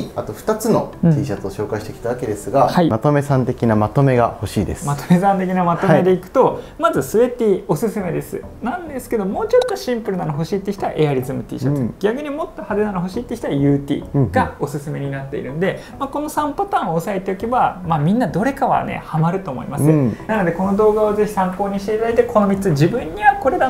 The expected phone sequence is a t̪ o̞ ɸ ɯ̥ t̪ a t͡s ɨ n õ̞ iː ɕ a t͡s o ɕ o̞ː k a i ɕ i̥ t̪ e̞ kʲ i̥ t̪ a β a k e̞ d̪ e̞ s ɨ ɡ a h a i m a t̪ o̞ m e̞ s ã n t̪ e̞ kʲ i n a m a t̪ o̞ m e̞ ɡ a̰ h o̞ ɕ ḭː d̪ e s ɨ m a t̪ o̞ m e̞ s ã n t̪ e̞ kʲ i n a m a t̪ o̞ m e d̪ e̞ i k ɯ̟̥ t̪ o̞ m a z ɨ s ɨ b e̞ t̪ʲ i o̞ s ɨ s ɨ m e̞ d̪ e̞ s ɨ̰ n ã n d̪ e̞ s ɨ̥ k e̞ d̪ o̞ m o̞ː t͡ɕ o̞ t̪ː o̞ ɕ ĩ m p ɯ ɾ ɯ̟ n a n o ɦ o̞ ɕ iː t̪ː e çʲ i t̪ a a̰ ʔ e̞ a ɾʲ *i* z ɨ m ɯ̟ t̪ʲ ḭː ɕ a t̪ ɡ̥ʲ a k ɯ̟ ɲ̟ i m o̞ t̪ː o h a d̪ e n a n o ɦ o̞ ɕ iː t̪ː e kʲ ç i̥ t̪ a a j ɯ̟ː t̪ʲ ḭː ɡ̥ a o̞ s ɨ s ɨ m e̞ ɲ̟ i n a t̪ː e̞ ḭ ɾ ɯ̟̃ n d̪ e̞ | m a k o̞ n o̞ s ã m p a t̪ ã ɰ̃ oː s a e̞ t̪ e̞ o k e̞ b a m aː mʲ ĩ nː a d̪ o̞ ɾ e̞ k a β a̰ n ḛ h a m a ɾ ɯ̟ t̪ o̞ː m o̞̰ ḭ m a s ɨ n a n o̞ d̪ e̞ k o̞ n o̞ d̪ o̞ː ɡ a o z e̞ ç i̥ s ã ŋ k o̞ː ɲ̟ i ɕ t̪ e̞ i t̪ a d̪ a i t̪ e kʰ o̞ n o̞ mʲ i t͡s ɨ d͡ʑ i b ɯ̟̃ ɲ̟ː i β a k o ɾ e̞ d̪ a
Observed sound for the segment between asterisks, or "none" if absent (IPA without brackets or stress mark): i